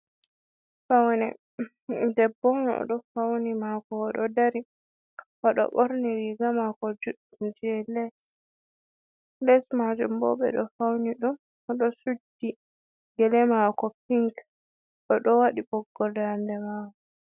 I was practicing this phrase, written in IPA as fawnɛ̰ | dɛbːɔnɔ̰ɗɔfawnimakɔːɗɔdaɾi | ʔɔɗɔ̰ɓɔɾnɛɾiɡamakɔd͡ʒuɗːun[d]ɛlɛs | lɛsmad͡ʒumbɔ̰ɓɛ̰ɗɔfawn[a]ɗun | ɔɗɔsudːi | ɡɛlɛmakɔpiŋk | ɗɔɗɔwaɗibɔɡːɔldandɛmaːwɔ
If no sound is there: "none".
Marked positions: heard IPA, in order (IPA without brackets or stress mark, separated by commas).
d͡ʒ, i